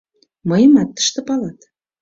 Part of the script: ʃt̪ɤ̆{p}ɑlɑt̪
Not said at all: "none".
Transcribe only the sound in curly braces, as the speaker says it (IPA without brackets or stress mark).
p